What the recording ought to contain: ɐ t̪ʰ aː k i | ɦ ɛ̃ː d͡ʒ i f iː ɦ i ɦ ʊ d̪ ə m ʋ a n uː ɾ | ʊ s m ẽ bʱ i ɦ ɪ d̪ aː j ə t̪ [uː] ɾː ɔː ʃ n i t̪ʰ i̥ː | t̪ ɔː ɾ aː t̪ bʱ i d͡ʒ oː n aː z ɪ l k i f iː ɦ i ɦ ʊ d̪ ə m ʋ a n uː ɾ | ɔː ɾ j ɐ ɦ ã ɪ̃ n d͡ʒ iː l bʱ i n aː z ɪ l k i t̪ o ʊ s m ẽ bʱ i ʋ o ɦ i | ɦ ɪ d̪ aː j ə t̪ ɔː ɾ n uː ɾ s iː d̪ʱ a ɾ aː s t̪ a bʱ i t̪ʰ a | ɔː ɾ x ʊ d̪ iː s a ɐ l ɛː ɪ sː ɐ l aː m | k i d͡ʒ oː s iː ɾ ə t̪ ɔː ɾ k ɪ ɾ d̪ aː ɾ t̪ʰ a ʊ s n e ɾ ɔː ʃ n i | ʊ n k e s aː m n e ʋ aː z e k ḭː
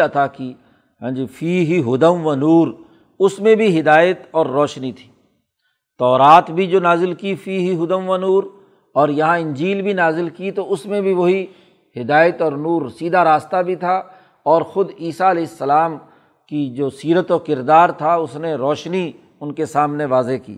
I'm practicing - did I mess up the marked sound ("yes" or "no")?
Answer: yes